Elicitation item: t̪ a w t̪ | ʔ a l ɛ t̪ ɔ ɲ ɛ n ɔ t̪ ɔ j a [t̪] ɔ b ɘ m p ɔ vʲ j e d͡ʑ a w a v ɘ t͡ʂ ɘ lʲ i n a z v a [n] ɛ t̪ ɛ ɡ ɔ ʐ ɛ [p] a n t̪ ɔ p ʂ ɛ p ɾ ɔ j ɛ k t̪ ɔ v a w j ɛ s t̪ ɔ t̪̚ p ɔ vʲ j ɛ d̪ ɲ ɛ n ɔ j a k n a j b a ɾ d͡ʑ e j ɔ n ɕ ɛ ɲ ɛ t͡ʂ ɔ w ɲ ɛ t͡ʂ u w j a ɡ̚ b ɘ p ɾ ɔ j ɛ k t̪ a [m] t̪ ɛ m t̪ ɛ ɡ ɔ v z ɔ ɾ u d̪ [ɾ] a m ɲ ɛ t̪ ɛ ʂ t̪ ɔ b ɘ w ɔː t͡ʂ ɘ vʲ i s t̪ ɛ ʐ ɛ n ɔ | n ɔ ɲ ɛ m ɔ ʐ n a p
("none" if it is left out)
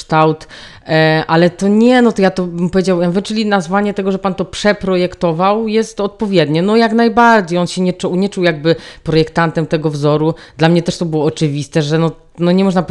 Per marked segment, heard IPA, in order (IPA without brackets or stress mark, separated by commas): t̪, ɲ, p, n, l